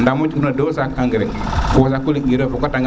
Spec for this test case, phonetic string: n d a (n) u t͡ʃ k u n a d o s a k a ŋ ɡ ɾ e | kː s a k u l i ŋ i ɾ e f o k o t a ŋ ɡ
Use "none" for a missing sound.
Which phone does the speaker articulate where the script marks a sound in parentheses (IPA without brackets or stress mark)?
m